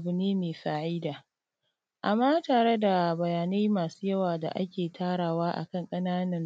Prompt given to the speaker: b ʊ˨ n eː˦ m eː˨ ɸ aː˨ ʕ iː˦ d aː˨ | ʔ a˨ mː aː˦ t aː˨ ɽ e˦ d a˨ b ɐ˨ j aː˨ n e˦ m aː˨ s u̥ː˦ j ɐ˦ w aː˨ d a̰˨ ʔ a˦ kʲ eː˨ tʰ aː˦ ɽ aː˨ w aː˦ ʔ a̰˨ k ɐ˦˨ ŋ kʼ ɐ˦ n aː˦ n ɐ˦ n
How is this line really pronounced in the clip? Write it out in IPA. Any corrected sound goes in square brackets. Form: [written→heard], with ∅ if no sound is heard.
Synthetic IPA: b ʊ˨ n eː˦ m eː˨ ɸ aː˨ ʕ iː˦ d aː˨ | ʔ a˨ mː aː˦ t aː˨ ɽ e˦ d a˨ b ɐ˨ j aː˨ n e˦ m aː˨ s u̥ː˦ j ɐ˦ w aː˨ d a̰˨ ʔ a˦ kʲ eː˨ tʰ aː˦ ɽ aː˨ w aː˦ ʔ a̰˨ k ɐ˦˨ ŋ kʼ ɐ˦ n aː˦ n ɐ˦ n